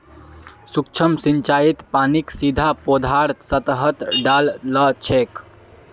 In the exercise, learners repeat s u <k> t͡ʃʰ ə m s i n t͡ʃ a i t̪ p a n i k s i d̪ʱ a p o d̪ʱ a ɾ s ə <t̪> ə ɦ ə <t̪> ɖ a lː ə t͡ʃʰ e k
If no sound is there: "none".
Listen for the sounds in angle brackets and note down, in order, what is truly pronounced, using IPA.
k, t̪, t̪

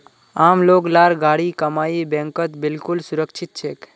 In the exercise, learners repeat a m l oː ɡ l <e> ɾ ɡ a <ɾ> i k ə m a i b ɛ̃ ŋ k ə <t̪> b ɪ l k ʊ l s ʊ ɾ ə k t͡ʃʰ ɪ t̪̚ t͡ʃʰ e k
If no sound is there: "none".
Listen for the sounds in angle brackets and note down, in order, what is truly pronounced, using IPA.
a, ɽ, t̪

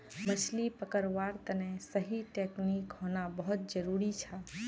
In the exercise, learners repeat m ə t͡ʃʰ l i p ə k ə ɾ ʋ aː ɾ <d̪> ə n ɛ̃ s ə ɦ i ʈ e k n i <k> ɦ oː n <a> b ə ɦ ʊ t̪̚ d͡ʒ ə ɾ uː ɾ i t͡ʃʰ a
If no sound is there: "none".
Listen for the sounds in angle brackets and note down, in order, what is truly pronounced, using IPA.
t̪, k, a

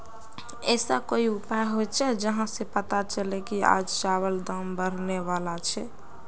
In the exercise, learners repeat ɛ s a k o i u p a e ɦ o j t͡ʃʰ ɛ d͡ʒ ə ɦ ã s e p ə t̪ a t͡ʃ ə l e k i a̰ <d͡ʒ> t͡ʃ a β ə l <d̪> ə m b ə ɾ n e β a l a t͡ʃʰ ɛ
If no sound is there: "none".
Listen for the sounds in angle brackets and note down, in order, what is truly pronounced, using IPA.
d͡ʒ, d̪

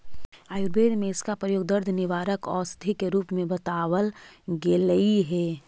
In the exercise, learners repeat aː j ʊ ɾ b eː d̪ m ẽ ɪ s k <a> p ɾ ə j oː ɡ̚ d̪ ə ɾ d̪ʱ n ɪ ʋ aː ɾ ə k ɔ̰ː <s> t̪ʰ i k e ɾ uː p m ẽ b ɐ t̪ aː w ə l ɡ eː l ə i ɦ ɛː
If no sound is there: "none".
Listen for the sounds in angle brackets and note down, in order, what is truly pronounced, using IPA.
a, s

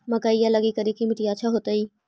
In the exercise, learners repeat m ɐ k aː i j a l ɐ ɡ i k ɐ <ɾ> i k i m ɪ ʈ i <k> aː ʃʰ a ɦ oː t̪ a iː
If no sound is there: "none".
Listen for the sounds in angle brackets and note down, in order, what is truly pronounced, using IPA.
ɾ, none

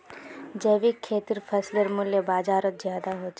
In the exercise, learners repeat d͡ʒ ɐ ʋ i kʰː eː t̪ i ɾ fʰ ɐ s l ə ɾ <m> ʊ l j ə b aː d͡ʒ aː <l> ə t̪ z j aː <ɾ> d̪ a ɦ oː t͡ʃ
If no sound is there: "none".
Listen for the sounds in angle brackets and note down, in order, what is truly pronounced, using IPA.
m, ɾ, none

